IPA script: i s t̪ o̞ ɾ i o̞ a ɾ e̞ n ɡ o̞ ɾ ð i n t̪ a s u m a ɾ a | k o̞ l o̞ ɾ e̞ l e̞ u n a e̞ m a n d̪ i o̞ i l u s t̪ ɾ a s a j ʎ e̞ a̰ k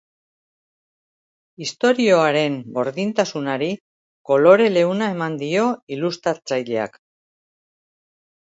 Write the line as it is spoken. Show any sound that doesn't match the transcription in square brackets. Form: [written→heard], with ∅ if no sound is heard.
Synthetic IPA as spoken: i s t̪ o̞ ɾ i o̞ a ɾ e̞ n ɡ o̞ ɾ ð i n t̪ a s u [m→n] a ɾ [a→i] | k o̞ l o̞ ɾ e̞ l e̞ u n a e̞ m a n d̪ i o̞ i l u s t̪ ɾ a [s→t͡s] a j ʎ e̞ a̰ k